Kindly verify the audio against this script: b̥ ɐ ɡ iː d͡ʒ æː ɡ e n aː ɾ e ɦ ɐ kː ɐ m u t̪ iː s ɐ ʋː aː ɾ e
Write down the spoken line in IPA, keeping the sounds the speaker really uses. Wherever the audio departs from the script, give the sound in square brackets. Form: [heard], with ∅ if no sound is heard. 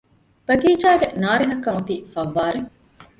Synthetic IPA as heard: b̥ ɐ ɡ iː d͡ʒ [aː] ɡ e n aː ɾ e ɦ ɐ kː ɐ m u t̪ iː [f] ɐ ʋː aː ɾ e